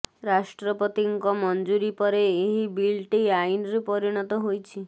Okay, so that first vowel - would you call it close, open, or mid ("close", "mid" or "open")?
open